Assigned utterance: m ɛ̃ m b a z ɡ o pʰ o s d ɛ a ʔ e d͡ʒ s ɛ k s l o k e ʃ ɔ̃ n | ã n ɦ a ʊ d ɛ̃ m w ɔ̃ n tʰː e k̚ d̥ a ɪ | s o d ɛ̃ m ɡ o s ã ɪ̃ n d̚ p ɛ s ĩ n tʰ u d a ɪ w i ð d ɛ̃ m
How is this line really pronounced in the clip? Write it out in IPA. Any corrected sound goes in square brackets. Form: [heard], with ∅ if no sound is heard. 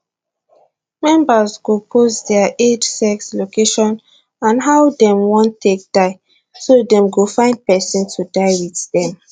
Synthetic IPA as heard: m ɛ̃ m b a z ɡ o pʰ o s d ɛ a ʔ e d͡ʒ s ɛ k s l o k e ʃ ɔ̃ n | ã n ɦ a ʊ d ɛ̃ m w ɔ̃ n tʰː e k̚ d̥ a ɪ | s o d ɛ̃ m ɡ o [f] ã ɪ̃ n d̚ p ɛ s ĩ n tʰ u d a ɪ w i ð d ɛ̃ m